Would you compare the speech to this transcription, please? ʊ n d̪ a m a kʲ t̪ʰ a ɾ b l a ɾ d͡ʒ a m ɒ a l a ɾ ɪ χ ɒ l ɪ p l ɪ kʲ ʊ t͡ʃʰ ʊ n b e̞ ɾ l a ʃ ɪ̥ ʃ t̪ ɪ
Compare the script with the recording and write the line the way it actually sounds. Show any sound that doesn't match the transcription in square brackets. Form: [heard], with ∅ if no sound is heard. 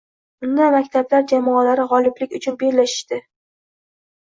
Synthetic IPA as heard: ʊ n d̪ a m a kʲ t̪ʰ a [∅] b l a ɾ d͡ʒ a m ɒ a l a ɾ ɪ [ʁ] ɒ l ɪ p l ɪ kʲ ʊ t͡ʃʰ ʊ n b e̞ ɾ l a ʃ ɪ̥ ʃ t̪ ɪ